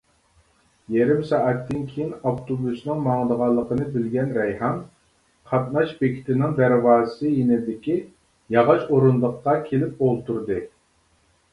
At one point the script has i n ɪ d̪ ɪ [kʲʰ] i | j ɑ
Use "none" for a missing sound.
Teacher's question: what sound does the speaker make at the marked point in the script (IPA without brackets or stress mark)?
kʲ